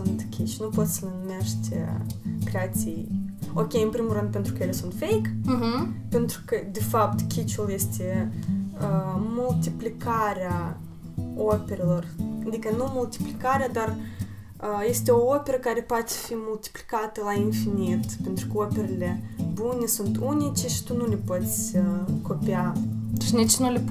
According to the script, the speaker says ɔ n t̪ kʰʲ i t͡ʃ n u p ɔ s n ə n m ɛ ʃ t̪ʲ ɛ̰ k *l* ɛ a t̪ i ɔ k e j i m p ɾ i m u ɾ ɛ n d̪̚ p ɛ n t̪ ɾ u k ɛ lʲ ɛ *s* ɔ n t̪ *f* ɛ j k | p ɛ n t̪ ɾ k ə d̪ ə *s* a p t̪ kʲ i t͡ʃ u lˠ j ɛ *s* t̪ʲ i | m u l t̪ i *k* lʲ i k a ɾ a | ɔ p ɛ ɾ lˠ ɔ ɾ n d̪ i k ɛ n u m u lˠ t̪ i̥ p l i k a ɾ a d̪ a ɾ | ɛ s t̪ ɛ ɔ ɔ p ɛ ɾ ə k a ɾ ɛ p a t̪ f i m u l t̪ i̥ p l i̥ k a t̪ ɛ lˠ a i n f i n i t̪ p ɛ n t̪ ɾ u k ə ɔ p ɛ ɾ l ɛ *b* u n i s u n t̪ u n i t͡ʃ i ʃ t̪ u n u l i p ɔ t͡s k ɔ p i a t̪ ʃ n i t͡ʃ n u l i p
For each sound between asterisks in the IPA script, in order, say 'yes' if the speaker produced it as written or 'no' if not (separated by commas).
no, yes, yes, no, yes, no, yes